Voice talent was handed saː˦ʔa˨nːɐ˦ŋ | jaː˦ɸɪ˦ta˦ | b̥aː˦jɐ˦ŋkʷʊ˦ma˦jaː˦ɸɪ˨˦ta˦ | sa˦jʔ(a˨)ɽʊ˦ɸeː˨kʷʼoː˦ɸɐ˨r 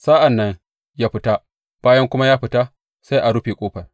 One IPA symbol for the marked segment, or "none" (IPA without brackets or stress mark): a˨